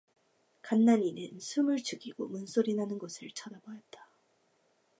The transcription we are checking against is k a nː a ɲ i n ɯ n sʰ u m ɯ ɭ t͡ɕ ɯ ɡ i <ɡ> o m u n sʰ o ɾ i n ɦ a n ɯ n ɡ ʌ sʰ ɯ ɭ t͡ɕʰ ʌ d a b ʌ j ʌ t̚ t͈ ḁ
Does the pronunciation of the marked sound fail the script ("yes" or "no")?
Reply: no